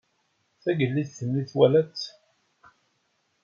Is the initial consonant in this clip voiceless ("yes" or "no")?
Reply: yes